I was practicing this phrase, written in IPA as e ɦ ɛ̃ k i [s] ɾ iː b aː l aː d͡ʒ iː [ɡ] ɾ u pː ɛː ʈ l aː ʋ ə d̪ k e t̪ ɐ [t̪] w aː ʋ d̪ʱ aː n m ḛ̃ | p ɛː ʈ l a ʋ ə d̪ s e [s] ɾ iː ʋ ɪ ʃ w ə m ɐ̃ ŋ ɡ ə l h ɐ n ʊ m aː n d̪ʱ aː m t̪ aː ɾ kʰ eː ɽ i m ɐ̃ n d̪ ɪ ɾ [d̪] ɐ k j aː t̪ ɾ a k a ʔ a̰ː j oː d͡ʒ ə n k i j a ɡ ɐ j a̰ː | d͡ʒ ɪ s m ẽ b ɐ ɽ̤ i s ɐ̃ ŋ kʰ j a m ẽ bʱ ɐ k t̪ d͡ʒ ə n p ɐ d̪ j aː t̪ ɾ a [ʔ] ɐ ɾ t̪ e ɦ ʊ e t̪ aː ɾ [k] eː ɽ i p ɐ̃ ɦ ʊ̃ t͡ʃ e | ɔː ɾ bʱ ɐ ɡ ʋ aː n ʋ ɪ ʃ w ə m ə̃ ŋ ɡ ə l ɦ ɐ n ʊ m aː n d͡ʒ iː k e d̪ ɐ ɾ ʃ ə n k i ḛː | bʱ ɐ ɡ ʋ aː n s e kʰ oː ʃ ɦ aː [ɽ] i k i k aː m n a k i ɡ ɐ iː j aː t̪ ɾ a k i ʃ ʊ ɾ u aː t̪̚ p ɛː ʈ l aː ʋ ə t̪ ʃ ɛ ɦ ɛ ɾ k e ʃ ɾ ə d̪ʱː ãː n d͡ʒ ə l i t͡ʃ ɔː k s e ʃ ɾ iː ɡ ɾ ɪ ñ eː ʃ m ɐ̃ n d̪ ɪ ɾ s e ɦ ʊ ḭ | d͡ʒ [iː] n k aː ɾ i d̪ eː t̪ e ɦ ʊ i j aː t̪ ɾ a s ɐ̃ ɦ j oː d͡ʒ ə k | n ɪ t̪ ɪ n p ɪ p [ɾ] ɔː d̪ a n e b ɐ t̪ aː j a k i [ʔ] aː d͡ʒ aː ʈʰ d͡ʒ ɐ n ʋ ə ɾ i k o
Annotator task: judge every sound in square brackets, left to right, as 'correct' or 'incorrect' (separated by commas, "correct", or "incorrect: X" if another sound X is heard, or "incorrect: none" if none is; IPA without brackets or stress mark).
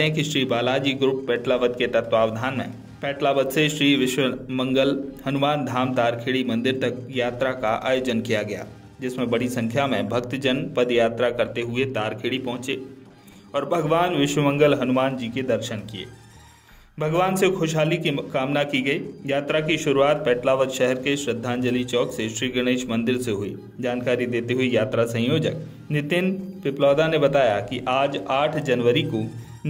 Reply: incorrect: ʃ, correct, correct, incorrect: ʃ, incorrect: t̪, incorrect: k, incorrect: kʰ, incorrect: l, incorrect: aː, incorrect: l, correct